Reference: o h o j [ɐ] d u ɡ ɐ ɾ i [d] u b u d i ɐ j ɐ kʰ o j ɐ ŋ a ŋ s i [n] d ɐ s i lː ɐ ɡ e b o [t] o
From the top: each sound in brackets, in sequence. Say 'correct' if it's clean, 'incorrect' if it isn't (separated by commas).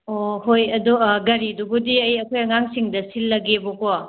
correct, correct, incorrect, incorrect